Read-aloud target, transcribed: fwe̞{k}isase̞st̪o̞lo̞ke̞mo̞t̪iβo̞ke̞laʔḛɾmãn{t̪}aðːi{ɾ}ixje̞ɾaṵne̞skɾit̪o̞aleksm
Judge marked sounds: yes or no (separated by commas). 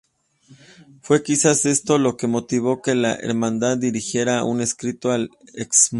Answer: yes, no, yes